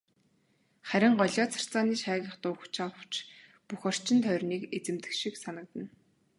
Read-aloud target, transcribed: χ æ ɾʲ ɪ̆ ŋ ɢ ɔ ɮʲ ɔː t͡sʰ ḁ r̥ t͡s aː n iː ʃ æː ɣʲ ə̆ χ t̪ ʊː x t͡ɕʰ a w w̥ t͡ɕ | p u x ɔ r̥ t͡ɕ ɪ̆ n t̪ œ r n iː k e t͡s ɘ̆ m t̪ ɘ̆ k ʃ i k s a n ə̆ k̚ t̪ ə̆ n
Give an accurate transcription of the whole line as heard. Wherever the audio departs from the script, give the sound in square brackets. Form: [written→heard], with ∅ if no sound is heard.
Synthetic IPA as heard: χ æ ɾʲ ɪ̆ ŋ ɢ ɔ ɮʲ ɔː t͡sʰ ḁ r̥ t͡s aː n iː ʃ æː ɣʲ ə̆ χ t̪ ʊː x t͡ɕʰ a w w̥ t͡ɕ | p u x ɔ r̥ t͡ɕ ɪ̆ n [t̪→t̪ʰ] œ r n iː k e t͡s ɘ̆ m t̪ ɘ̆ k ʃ i k s a n ə̆ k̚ t̪ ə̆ n